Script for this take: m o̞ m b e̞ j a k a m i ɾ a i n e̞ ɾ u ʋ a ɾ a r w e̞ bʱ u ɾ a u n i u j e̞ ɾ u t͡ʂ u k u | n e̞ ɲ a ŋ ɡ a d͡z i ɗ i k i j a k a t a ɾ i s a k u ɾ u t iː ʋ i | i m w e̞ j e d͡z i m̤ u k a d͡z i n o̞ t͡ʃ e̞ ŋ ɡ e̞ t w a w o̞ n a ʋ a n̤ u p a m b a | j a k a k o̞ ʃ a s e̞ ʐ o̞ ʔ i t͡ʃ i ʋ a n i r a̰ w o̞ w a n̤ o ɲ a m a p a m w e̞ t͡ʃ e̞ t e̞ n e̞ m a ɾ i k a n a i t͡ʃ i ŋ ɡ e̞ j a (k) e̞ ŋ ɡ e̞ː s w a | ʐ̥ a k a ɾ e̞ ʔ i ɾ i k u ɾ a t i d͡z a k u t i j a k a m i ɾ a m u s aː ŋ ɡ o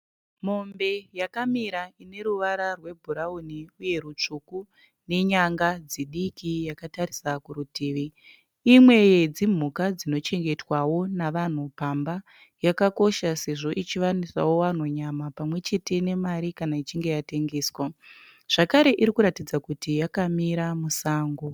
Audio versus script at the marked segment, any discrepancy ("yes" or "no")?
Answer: yes